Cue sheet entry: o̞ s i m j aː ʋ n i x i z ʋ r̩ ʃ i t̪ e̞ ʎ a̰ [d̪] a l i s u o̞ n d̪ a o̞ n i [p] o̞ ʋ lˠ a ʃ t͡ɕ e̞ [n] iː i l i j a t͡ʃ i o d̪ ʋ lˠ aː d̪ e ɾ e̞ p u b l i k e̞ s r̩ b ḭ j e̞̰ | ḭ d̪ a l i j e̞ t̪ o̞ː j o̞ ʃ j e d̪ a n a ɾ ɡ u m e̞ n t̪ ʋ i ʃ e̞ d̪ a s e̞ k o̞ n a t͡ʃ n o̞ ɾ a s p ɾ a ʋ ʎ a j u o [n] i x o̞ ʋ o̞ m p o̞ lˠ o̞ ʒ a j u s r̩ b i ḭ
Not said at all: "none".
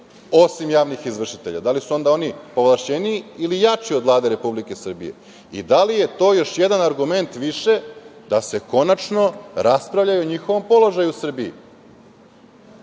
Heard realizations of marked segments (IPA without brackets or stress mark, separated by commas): d̪, p, n, ɲ